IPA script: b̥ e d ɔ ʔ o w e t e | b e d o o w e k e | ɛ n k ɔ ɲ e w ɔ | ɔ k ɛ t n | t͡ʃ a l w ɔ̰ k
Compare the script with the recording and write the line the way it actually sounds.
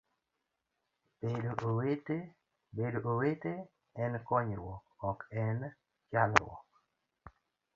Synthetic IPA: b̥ e d o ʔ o w e t e | b e d o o w e t e | ɛ n k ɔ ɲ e w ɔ | ɔ k ɛ n | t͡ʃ a l w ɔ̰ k